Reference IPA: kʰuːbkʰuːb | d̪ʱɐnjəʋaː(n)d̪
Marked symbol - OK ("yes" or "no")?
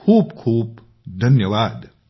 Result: no